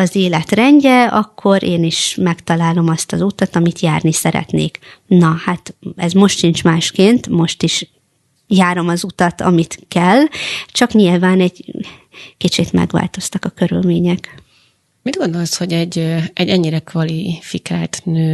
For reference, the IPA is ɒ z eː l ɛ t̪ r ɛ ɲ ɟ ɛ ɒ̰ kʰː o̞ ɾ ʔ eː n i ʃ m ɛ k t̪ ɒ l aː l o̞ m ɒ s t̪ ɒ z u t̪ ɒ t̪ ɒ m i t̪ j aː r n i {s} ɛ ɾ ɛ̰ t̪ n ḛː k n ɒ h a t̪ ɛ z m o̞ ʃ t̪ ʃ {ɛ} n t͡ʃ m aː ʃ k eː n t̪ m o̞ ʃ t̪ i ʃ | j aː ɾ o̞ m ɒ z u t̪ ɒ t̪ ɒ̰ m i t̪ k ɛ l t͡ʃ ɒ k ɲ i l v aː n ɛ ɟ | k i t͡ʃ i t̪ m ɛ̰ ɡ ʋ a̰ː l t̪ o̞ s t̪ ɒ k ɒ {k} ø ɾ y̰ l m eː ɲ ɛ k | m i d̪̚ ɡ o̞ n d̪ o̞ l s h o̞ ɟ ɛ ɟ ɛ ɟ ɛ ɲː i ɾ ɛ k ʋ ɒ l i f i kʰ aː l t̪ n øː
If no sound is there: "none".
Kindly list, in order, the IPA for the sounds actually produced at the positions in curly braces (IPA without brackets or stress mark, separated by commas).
s, i, k